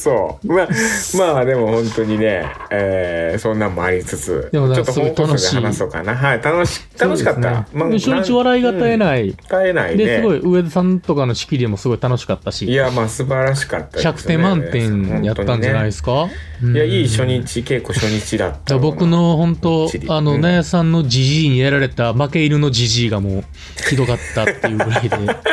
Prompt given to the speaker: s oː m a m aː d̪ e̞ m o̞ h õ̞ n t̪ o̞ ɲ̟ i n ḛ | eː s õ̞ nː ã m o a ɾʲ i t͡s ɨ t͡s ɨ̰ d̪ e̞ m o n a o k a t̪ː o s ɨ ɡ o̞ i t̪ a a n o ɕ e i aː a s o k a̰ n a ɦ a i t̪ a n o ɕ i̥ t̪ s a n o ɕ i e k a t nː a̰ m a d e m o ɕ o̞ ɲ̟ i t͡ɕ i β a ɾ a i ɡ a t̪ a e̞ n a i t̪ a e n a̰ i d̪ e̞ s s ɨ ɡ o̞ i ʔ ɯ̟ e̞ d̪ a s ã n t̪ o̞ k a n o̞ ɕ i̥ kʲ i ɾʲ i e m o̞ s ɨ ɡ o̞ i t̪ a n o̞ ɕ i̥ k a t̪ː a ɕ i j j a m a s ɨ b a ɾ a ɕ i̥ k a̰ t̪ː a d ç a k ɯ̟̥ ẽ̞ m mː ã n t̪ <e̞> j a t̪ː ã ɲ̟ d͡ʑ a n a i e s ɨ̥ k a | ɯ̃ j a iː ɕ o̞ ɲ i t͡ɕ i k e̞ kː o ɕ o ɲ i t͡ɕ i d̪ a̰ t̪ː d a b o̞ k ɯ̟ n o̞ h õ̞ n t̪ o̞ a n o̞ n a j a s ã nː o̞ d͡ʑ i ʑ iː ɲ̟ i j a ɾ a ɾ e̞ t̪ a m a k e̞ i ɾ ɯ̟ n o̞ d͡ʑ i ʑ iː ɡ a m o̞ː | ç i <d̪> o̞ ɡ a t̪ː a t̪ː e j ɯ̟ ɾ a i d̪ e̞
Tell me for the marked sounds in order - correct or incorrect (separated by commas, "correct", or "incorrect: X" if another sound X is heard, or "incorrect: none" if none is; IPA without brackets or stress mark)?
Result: incorrect: ẽ̞, correct